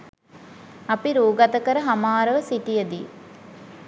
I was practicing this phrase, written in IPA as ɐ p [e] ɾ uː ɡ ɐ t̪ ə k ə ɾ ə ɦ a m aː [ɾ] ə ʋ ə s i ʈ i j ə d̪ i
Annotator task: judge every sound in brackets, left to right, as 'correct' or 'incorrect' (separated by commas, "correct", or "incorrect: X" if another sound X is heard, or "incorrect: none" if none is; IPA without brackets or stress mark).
incorrect: i, correct